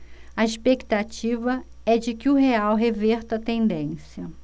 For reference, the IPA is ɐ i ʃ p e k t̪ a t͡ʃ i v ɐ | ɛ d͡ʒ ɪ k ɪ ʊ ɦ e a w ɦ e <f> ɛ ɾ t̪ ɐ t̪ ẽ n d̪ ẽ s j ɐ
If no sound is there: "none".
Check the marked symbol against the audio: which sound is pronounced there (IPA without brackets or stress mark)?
v